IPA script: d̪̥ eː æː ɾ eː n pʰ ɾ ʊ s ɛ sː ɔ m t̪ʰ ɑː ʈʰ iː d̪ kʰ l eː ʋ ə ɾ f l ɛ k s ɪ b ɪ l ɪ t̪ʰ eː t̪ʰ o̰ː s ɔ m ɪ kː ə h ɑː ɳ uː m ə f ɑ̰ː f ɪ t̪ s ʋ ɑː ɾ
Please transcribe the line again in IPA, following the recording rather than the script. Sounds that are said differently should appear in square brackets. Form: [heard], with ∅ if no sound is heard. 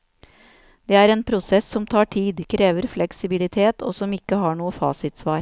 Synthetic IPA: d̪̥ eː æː ɾ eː n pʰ ɾ ʊ s ɛ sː ɔ m t̪ʰ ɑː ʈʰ iː d̪ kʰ [ɾ] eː ʋ ə ɾ f l ɛ k s ɪ b ɪ l ɪ t̪ʰ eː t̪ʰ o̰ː s ɔ m ɪ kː ə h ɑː ɳ uː [∅] ə f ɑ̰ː [s] ɪ t̪ s ʋ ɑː ɾ